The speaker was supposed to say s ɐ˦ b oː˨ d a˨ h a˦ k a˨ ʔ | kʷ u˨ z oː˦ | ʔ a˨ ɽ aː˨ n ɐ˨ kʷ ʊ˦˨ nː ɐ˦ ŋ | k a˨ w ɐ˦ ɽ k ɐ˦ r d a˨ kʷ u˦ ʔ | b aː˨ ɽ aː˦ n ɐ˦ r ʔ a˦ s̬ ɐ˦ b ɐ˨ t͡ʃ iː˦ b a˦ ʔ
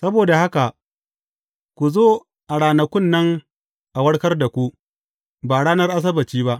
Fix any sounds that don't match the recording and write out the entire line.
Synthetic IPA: s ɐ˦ b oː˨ d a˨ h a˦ k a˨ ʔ | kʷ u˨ z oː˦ | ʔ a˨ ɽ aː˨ n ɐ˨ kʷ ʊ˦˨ nː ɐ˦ ŋ | ʔ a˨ w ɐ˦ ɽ k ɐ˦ r d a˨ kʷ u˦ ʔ | b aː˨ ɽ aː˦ n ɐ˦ r ʔ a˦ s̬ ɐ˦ b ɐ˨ t͡ʃ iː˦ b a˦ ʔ

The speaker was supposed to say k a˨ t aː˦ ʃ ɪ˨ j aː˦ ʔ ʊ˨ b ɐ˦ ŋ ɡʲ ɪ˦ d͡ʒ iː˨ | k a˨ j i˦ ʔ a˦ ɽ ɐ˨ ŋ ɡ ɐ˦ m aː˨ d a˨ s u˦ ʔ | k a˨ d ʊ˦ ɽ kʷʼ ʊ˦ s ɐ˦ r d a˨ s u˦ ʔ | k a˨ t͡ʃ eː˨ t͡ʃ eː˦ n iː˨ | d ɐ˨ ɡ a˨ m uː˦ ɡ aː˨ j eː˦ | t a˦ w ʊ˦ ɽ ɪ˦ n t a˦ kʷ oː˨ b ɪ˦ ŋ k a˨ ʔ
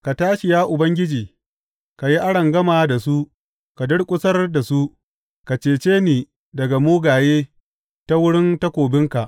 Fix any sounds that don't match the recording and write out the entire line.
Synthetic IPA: k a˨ t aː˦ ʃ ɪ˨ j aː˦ ʔ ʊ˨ b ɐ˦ ŋ ɡʲ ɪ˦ d͡ʒ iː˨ | k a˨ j i˦ ʔ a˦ ɽ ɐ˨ ŋ ɡ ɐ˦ m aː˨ d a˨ s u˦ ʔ | k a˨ d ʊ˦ ɽ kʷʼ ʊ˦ s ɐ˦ r d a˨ s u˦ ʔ | k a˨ t͡ʃ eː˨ t͡ʃ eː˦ n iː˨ | d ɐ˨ ɡ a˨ m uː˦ ɡ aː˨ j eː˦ | t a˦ w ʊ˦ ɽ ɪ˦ n t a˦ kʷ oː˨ b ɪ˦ ŋ k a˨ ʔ

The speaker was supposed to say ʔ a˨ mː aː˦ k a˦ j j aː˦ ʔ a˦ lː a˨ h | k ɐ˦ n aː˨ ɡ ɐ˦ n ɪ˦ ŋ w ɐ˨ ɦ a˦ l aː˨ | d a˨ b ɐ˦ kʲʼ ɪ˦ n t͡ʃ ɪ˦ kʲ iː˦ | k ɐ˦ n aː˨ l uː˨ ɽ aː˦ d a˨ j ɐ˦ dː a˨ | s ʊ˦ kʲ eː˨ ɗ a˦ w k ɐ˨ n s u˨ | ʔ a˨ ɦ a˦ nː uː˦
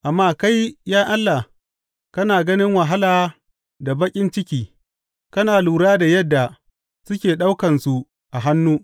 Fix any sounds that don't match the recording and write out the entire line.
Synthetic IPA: ʔ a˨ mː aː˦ k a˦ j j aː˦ ʔ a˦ lː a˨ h | k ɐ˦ n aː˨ ɡ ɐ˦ n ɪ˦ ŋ w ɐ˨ ɦ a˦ l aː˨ | d a˨ b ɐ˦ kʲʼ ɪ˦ n t͡ʃ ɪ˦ kʲ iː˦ | k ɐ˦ n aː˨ l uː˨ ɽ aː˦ d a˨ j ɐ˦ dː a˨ | s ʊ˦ kʲ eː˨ ɗ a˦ w k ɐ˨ n s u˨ | ʔ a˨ ɦ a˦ nː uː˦

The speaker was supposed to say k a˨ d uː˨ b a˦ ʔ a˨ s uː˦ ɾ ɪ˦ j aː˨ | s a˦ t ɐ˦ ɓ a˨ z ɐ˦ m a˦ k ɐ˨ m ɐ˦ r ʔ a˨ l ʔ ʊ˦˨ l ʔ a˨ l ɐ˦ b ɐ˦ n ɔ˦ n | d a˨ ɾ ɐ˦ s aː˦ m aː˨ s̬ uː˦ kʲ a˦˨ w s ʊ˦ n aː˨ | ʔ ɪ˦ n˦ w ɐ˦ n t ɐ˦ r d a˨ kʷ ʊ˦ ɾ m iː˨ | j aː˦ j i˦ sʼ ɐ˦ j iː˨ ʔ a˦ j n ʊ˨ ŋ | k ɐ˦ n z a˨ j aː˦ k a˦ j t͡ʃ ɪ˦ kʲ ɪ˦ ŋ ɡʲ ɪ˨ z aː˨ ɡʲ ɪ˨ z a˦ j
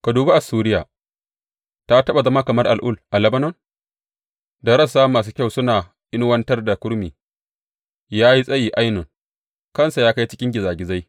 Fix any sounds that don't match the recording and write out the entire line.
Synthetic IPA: k a˨ d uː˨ b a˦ ʔ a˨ s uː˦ ɾ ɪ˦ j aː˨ | t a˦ t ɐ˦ ɓ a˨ z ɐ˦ m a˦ k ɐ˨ m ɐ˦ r ʔ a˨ l ʔ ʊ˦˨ l ʔ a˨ l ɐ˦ b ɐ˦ n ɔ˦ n | d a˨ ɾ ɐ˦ s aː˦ m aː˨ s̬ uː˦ kʲ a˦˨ w s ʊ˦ n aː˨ | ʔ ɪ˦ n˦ w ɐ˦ n t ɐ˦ r d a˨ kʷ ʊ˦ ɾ m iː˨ | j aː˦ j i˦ sʼ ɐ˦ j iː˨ ʔ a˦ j n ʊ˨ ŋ | k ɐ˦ n s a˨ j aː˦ k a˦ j t͡ʃ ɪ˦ kʲ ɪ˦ ŋ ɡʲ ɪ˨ z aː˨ ɡʲ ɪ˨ z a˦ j

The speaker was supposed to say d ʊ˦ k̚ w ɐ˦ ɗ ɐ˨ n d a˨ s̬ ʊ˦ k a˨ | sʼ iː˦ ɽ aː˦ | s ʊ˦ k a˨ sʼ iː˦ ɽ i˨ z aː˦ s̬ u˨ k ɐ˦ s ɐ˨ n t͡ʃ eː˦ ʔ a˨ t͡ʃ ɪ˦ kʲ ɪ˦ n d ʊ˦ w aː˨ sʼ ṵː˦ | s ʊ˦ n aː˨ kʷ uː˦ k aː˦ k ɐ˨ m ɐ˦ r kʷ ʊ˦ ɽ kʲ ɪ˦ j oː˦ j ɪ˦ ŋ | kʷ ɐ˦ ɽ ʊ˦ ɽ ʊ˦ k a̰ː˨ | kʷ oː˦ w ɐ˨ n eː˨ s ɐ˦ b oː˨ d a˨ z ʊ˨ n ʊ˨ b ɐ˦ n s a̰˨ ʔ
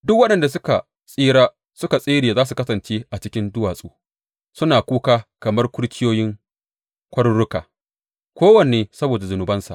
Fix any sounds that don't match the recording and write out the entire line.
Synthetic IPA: d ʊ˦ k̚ w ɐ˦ ɗ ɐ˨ n d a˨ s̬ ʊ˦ k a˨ | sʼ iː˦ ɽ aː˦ | s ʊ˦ k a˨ sʼ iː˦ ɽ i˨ z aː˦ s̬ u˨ k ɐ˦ s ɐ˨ n t͡ʃ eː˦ ʔ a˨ t͡ʃ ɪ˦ kʲ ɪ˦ n d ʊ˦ w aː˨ sʼ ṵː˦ | s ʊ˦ n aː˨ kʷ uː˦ k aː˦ k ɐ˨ m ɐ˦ r kʷ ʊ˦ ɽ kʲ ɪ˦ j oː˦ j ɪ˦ ŋ | kʷ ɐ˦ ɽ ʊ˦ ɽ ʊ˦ k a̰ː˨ | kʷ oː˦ w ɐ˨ n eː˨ s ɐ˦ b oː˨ d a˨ z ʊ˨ n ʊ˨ b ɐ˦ n s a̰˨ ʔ

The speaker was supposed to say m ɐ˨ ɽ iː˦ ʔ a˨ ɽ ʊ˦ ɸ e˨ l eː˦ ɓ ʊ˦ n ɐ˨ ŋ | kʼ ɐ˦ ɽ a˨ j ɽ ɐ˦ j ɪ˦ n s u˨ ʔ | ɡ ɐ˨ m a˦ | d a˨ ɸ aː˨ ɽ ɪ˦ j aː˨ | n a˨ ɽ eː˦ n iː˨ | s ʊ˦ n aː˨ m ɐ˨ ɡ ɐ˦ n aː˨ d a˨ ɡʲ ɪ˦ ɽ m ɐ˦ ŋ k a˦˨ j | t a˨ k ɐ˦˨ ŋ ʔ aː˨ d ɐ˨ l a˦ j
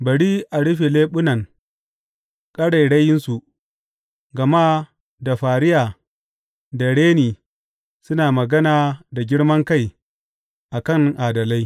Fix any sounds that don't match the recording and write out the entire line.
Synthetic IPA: b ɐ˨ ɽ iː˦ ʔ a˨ ɽ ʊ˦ ɸ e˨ l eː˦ ɓ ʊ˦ n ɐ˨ ŋ | kʼ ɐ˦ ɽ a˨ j ɽ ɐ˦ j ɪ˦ n s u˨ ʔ | ɡ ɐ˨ m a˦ | d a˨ ɸ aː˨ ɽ ɪ˦ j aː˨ | d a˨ ɽ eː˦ n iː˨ | s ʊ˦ n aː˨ m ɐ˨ ɡ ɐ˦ n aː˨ d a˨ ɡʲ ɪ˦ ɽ m ɐ˦ ŋ k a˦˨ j | ʔ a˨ k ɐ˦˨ ŋ ʔ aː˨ d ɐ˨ l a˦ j

